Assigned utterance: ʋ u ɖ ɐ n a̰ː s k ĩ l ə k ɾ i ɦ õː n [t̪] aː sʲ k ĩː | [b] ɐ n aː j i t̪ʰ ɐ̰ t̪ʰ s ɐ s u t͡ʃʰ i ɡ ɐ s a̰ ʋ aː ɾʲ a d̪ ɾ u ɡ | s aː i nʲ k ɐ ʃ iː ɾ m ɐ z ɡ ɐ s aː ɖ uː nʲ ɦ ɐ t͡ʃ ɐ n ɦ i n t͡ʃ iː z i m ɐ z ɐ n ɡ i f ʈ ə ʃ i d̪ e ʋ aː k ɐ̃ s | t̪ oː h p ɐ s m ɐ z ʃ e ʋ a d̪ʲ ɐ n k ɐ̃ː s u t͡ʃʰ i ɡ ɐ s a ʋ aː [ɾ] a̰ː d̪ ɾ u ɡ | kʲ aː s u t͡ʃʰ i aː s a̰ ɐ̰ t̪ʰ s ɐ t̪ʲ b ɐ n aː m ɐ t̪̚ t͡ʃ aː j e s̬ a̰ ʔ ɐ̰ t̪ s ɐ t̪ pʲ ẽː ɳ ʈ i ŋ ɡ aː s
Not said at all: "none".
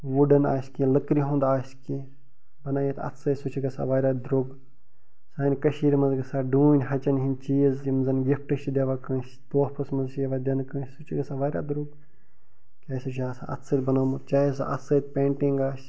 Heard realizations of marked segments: d̪, b, ɾ

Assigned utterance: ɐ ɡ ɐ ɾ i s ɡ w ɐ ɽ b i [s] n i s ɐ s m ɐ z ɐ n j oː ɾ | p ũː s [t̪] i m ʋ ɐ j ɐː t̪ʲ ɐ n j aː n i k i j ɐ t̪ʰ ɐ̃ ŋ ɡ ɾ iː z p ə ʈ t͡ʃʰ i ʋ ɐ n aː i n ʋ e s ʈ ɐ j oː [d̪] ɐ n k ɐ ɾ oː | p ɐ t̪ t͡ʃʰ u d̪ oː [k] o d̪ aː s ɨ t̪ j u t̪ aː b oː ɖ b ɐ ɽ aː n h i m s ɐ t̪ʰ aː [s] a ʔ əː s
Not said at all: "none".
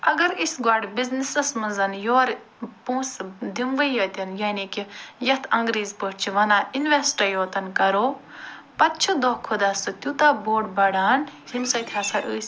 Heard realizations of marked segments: z, d̪, t̪, kʰ, s

